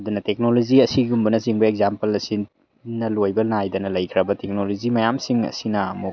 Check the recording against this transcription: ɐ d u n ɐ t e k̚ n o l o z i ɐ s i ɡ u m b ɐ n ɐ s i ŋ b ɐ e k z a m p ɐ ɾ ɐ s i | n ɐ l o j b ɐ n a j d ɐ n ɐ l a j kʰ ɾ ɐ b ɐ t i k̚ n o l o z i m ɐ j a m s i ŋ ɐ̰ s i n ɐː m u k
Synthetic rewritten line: ɐ d u n ɐ t e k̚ n o l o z i ɐ s i ɡ u m b ɐ n ɐ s i ŋ b ɐ e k z a m p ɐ l ɐ s i | n ɐ l o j b ɐ n a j d ɐ n ɐ l ɐ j kʰ ɾ ɐ b ɐ t e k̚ n o l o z i m ɐ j a m s i ŋ ɐ̰ s i n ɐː m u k